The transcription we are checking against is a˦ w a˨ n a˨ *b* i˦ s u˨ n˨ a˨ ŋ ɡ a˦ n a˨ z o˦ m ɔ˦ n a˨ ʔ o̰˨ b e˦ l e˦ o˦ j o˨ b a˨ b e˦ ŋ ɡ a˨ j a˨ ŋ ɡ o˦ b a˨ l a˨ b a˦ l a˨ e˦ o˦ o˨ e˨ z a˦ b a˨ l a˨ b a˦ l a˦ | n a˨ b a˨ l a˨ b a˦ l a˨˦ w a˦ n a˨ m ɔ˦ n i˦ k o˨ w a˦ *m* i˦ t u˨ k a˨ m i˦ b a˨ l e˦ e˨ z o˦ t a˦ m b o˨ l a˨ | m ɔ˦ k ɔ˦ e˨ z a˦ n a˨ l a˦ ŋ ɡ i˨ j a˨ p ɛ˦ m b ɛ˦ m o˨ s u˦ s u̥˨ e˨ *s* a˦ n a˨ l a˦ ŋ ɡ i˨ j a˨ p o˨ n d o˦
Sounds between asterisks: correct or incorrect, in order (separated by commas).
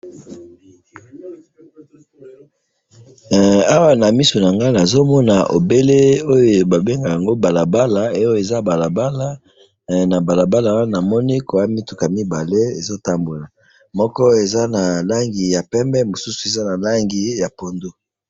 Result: incorrect, correct, incorrect